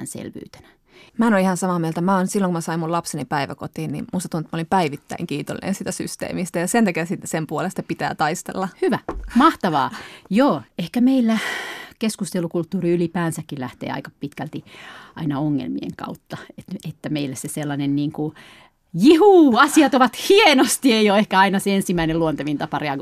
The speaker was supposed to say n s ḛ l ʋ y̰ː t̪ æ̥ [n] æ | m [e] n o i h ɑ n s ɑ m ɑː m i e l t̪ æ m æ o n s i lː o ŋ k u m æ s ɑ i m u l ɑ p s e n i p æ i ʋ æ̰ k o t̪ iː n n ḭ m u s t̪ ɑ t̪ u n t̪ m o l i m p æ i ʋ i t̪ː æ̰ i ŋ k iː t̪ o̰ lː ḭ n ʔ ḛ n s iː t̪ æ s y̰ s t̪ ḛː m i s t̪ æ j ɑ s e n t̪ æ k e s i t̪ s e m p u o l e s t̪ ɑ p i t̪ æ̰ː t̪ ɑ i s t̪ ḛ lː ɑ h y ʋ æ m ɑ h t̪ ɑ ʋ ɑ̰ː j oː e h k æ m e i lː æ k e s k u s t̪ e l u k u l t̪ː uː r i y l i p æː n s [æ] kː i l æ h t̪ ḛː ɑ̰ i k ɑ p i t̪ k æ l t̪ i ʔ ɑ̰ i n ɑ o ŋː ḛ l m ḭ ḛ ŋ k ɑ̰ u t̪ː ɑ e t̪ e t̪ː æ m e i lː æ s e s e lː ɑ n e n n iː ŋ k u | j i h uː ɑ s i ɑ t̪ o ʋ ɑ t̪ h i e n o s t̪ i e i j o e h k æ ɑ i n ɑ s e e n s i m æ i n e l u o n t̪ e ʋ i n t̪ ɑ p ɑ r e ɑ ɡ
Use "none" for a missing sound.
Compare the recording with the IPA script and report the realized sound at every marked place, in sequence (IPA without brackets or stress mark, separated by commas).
n, æ, æ